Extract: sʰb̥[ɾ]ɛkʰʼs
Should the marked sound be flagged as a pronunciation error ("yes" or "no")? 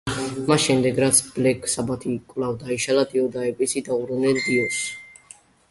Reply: yes